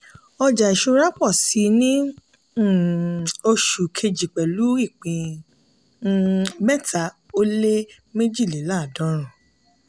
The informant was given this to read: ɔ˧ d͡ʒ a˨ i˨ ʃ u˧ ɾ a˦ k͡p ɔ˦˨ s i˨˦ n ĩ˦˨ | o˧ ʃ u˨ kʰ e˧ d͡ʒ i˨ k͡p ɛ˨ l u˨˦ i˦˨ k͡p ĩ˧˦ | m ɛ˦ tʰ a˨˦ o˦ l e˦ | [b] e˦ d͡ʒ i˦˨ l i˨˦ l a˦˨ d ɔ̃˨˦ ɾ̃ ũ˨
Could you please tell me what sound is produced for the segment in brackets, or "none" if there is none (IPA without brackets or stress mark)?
m